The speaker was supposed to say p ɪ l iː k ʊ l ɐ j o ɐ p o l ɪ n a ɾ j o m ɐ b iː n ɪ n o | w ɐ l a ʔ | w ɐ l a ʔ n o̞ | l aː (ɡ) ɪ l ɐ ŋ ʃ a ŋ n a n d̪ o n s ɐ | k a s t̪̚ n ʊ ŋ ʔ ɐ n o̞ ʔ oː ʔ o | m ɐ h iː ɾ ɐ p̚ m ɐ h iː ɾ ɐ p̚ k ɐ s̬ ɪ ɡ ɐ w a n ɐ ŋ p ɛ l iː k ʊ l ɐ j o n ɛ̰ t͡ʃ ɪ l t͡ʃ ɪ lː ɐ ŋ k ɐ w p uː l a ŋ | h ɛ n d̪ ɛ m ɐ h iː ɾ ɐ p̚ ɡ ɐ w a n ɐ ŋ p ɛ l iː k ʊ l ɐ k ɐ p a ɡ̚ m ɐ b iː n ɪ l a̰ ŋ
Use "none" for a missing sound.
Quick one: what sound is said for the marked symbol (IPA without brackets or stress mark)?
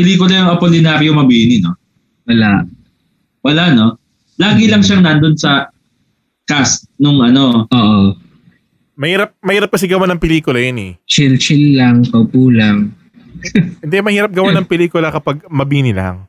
ɡ